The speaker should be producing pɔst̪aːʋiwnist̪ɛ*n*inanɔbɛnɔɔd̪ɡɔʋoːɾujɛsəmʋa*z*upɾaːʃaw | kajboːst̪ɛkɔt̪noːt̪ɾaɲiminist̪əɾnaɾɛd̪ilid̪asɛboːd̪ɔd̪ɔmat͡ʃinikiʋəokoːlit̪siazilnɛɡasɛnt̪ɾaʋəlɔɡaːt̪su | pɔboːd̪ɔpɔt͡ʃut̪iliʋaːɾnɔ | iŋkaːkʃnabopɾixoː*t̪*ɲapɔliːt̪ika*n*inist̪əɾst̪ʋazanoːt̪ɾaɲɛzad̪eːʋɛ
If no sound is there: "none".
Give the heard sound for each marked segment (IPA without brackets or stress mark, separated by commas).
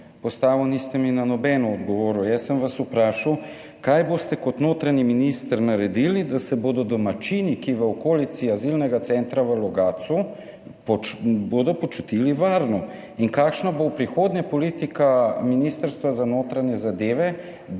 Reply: m, s, d̪, m